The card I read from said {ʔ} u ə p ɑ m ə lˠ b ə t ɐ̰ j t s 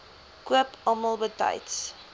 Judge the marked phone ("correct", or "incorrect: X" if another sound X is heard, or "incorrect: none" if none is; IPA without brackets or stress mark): incorrect: k